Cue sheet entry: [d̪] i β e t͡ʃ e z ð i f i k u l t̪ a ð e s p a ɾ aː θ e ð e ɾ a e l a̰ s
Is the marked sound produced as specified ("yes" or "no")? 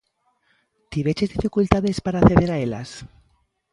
no